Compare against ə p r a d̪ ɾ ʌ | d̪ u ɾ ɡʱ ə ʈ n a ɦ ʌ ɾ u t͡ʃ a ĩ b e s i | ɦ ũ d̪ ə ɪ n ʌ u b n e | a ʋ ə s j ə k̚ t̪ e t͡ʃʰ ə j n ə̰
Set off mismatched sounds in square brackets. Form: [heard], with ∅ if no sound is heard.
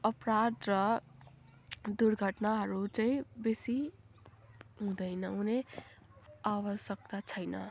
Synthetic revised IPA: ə p [ɾ] a d̪ ɾ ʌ | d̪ u ɾ ɡʱ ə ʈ n a ɦ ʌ ɾ u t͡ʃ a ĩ b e s i | ɦ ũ d̪ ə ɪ n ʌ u [∅] n e | a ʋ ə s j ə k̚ t̪ [a] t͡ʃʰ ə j n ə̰